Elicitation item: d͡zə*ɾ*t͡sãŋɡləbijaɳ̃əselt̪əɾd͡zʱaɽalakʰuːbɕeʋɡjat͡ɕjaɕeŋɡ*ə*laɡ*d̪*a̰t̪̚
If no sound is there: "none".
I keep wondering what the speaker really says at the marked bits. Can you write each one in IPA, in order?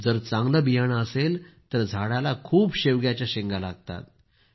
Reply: ɾ, a, t̪

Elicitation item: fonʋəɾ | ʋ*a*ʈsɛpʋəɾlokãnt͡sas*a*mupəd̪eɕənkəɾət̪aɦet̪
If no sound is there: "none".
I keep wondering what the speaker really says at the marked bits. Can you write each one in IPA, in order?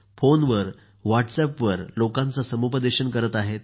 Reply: a, ə

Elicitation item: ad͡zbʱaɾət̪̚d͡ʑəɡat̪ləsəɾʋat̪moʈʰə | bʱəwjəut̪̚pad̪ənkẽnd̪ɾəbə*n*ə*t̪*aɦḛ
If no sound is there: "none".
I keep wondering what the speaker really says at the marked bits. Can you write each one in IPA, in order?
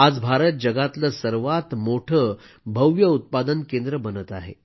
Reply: n, t̪

